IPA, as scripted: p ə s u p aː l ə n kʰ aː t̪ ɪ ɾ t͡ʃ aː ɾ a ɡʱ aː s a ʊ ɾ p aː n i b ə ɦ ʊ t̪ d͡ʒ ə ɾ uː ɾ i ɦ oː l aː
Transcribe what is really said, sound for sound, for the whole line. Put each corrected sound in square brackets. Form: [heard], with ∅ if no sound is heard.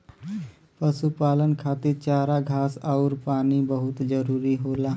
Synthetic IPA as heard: p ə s u p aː l ə n kʰ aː t̪ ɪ ɾ t͡ʃ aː ɾ a ɡʱ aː s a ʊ ɾ p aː n i b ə ɦ ʊ t̪ d͡ʒ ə ɾ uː ɾ i ɦ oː l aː